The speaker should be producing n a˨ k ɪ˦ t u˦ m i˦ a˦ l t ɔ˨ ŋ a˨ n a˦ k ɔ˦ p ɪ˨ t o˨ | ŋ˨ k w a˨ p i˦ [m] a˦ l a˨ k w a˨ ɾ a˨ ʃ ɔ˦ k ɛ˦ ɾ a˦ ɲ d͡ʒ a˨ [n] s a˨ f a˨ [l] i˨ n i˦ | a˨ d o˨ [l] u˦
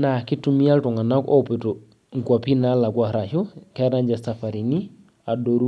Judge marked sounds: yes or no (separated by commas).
no, no, no, no